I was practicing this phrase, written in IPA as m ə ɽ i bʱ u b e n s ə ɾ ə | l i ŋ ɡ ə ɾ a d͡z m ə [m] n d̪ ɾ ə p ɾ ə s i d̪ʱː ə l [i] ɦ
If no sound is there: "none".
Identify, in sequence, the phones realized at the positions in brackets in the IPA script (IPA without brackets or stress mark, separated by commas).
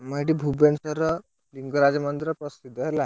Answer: none, a